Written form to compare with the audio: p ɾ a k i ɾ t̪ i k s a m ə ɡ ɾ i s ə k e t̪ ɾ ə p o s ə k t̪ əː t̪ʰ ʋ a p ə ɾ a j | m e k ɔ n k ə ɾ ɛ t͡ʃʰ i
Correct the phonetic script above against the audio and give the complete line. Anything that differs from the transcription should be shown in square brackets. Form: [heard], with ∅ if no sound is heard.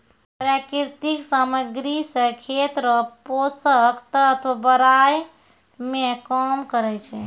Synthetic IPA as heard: p ɾ a k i ɾ t̪ i k s a m ə ɡ ɾ i s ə [kʰ] e t̪ ɾ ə p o s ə k t̪ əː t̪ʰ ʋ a [b] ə ɾ a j | m e k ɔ [m] k ə ɾ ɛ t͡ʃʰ [ɛ]